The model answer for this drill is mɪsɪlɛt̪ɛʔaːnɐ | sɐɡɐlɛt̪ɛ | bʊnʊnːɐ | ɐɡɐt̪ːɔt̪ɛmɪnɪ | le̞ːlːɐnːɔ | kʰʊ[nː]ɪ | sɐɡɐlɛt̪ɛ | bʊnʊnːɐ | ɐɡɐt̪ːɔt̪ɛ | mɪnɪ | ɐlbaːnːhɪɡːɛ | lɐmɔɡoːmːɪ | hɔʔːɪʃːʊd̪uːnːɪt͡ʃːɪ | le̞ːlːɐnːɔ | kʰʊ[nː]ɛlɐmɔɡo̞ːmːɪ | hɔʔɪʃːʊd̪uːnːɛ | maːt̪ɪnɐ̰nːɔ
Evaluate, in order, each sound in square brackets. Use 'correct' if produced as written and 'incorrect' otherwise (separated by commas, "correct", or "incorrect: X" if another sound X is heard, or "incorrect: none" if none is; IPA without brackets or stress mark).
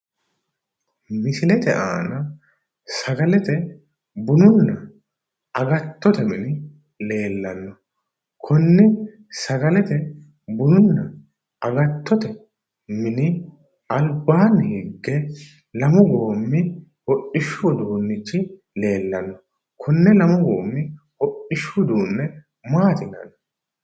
correct, correct